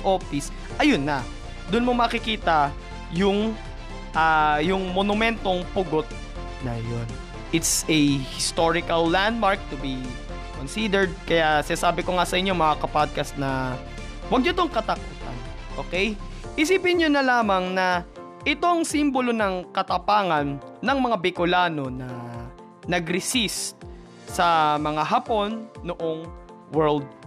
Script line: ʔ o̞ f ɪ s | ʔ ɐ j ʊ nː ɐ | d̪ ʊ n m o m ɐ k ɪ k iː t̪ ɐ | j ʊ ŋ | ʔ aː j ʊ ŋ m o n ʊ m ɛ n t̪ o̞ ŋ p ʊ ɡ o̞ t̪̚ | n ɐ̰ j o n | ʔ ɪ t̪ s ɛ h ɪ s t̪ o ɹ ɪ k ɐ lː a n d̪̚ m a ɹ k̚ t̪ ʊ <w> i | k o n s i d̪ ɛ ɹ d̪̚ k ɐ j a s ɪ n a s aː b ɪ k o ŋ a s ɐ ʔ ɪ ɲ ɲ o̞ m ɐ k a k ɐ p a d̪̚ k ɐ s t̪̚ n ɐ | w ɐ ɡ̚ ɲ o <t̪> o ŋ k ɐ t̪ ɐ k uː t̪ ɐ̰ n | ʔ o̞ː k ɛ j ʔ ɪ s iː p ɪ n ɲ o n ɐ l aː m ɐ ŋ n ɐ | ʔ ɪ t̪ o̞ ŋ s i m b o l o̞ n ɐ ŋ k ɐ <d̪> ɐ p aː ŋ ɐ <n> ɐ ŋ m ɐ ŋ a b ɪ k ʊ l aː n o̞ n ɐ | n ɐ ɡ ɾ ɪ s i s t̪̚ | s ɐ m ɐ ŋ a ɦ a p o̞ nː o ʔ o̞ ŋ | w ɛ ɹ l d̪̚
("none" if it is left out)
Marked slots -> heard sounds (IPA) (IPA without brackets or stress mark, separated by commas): b, t̪, t̪, nː